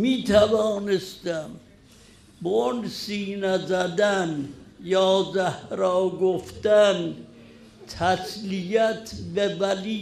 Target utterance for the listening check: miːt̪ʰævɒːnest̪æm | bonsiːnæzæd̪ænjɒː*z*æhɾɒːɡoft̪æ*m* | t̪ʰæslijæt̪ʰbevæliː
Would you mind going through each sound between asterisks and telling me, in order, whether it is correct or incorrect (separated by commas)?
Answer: correct, incorrect